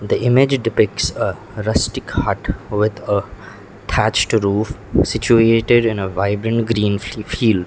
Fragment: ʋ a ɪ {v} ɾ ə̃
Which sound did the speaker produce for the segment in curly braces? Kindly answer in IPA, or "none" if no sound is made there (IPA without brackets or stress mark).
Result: b